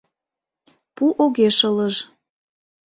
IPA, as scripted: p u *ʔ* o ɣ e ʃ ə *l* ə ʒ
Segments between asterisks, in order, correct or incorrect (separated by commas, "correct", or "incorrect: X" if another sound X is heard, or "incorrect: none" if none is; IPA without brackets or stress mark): correct, correct